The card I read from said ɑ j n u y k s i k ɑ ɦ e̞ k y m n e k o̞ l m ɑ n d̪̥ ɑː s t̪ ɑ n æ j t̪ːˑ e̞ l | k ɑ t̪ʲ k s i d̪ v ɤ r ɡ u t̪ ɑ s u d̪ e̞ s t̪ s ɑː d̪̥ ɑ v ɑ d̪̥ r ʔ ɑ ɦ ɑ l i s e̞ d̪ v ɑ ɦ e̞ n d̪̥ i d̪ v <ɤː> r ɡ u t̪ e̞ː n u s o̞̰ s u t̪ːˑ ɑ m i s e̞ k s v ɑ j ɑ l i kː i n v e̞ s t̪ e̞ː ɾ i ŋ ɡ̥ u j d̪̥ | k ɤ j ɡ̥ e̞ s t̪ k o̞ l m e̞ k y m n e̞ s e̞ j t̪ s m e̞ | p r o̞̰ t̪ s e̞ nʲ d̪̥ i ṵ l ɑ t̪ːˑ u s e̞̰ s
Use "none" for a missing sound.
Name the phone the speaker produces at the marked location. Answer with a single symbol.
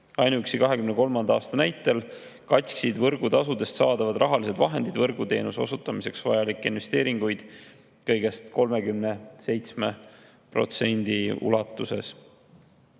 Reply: ɤ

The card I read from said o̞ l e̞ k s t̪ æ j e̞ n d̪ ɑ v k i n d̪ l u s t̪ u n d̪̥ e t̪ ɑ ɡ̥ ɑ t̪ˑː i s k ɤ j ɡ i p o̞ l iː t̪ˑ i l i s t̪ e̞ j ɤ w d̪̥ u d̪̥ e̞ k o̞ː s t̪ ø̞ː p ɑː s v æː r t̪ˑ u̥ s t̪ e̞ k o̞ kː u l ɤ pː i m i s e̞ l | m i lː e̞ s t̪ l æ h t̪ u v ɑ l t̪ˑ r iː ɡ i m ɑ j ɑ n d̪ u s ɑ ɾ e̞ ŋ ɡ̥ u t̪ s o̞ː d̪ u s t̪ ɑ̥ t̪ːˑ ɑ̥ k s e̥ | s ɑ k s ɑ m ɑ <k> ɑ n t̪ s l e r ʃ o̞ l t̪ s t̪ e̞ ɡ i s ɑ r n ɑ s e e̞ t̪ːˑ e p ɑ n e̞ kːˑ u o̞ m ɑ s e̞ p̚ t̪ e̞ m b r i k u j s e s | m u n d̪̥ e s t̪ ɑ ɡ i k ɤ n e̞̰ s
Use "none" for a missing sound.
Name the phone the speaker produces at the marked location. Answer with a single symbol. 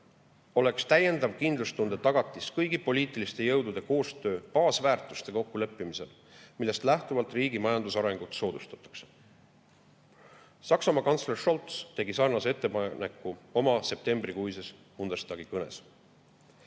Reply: k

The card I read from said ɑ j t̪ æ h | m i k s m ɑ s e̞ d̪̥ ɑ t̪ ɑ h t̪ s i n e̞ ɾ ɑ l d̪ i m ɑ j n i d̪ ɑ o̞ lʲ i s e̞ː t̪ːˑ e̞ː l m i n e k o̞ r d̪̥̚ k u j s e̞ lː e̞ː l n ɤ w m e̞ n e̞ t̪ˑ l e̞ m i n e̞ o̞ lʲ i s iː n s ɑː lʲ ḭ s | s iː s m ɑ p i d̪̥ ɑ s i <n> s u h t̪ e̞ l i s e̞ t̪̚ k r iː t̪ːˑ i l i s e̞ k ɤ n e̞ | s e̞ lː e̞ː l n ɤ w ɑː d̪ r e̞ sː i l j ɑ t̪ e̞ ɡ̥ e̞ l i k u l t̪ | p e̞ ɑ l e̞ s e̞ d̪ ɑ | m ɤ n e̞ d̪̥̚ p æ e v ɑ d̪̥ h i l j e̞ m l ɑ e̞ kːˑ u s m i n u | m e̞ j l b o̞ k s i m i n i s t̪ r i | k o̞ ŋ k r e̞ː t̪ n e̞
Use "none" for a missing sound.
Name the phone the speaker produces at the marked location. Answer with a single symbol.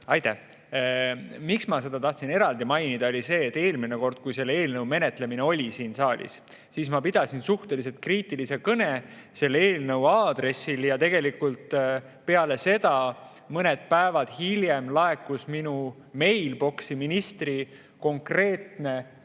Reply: n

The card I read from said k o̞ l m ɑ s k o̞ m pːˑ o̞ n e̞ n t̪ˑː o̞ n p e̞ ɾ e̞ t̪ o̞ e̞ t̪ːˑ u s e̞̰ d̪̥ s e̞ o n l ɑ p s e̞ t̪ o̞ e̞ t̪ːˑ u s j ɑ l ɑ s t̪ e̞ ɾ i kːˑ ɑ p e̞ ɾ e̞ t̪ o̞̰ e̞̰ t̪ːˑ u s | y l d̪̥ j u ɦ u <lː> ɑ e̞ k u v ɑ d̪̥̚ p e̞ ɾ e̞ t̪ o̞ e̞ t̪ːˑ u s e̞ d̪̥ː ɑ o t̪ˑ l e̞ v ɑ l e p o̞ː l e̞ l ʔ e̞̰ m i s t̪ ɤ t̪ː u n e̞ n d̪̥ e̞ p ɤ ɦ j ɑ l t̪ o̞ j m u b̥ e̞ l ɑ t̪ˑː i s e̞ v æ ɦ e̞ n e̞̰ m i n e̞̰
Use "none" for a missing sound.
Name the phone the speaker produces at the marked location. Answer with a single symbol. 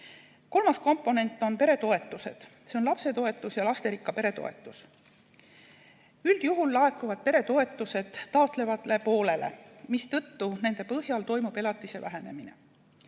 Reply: lː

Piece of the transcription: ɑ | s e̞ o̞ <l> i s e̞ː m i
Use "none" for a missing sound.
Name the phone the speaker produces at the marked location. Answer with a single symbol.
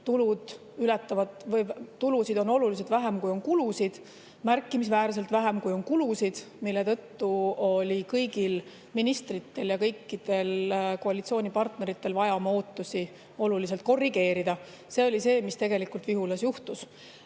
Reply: l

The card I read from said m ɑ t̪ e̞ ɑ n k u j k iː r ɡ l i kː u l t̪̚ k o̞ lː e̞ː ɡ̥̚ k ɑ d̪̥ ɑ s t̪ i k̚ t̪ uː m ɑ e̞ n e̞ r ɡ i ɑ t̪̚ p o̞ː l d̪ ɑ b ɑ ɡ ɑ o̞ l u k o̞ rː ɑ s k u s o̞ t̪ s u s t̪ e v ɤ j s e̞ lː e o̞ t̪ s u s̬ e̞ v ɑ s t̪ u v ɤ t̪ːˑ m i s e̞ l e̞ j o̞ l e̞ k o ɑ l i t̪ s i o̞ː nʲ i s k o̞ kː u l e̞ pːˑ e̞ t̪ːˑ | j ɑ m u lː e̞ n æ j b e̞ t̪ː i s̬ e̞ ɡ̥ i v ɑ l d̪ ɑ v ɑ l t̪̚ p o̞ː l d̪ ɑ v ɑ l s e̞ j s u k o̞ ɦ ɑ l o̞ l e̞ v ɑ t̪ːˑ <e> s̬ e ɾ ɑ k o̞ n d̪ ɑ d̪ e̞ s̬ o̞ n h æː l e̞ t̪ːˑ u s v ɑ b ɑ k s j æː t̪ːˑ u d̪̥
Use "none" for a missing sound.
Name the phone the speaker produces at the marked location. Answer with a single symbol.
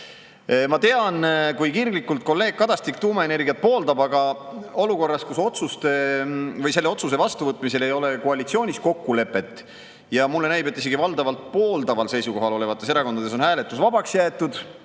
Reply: e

